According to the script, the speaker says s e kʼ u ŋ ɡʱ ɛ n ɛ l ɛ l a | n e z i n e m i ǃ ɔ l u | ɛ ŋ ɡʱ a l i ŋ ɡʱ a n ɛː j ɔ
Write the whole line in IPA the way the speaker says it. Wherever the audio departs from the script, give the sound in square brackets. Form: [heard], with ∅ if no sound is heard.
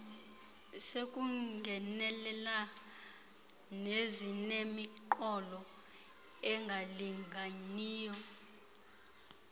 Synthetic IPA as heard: s e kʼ u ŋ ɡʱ ɛ n ɛ l ɛ l a | n e z i n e m i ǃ ɔ l [ɔ] | ɛ ŋ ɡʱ a l i ŋ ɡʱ a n [iː] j ɔ